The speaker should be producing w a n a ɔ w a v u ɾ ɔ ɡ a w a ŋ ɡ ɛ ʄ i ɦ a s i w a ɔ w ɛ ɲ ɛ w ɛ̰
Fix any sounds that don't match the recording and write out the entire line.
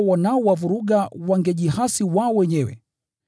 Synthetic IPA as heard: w a n a ɔ w a v u ɾ u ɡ a w a ŋ ɡ ɛ ʄ i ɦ a s i w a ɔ w ɛ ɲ ɛ w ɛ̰